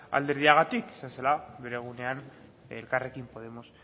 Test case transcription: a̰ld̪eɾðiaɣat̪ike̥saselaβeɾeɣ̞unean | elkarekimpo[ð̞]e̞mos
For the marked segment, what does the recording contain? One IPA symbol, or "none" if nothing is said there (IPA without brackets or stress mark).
ð̞